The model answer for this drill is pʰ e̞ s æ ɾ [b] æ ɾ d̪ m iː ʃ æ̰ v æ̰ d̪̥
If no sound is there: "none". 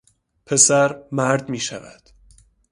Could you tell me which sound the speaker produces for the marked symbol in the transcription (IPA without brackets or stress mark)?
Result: m